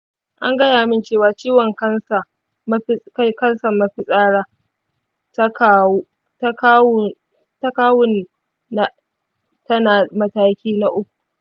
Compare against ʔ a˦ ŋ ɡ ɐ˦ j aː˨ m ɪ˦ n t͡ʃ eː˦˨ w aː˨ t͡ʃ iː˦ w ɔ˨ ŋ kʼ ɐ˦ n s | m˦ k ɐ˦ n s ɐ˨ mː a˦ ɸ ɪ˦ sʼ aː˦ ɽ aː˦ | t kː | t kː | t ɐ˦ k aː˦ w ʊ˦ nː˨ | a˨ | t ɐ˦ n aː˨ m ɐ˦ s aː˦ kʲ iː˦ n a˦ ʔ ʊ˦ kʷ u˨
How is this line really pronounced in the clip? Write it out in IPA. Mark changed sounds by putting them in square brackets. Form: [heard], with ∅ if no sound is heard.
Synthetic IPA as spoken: ʔ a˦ ŋ ɡ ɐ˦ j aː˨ m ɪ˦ n t͡ʃ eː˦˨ w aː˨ t͡ʃ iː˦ w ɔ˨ ŋ [k] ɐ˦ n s | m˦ k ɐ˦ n s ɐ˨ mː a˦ ɸ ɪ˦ sʼ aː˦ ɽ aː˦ | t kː | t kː | t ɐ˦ k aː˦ w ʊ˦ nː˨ | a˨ | t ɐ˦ n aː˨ m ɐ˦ [t] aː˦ kʲ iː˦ n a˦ ʔ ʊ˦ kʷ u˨